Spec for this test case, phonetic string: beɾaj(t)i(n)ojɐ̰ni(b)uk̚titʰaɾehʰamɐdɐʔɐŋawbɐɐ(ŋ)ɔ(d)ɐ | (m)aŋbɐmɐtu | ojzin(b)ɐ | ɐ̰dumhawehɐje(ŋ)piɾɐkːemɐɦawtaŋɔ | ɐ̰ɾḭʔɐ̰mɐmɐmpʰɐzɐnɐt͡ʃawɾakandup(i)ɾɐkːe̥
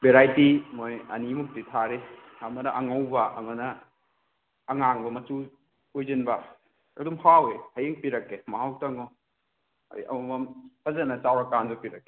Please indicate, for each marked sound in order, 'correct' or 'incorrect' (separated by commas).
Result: correct, incorrect, incorrect, correct, incorrect, incorrect, correct, correct, correct